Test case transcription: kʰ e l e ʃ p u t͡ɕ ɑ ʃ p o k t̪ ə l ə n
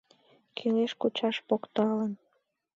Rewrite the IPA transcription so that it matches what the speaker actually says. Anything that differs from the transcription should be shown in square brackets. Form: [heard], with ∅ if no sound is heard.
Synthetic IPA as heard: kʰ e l e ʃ [k] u t͡ɕ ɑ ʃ p o k t̪ [ɑ] l ə n